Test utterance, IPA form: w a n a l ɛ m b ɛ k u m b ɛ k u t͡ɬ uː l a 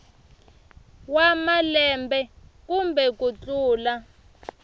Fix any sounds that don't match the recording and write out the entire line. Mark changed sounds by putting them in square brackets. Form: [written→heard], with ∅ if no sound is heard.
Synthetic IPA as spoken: w a [n→m] a l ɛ m b ɛ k u m b ɛ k u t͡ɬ uː l a